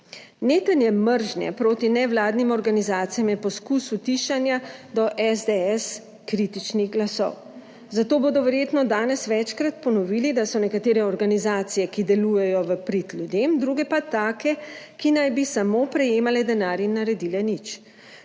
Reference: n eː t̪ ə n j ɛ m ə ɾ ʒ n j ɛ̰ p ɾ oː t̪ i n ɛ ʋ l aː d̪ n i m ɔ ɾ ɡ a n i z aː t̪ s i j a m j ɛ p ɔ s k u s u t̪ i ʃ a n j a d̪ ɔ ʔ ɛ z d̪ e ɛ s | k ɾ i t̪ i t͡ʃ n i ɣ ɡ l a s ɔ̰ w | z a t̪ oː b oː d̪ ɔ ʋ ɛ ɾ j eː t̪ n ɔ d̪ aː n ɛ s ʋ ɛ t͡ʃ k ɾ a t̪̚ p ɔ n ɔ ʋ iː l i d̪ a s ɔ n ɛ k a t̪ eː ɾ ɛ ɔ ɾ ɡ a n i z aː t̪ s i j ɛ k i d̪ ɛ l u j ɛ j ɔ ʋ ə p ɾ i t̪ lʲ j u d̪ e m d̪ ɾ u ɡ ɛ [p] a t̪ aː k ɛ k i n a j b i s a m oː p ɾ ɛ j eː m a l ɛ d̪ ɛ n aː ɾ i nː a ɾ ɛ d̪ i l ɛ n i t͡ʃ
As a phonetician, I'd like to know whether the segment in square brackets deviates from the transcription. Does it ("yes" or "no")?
no